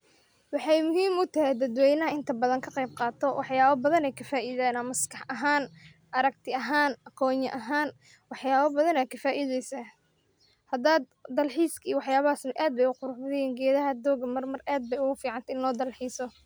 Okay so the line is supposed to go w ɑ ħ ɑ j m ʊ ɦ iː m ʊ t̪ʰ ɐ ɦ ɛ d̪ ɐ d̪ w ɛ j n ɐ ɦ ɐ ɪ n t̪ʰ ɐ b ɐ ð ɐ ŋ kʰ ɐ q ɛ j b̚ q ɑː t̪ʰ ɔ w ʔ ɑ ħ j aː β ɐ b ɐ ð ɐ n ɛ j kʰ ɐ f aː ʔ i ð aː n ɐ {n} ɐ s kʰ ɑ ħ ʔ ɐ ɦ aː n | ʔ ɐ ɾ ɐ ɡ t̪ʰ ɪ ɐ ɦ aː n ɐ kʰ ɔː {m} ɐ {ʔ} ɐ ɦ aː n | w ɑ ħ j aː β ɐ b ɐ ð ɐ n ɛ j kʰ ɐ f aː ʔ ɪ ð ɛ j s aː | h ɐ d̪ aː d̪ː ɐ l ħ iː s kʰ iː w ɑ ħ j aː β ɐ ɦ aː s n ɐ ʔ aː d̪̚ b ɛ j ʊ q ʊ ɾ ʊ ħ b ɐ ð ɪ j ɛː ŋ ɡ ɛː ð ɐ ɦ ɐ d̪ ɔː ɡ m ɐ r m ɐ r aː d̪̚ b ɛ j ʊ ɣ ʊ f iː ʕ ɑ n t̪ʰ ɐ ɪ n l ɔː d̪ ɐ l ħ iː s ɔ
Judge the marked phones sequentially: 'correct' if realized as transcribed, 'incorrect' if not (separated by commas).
incorrect, incorrect, correct